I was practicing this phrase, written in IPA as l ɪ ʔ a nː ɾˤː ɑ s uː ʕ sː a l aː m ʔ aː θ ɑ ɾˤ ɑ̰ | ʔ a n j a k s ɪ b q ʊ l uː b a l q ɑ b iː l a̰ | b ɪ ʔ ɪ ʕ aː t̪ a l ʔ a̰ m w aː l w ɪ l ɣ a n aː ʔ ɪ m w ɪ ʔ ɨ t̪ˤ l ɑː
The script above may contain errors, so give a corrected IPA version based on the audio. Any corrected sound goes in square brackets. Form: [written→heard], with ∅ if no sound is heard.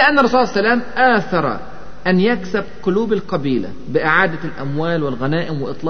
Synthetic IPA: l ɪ ʔ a nː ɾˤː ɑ s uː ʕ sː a l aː m ʔ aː θ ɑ ɾˤ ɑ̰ | ʔ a n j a k s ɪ b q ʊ l uː b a l q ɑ b iː l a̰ | b ɪ ʔ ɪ ʕ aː [t̪→d̪] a l ʔ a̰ m w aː l w ɪ l ɣ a n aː ʔ ɪ m w ɪ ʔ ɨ t̪ˤ l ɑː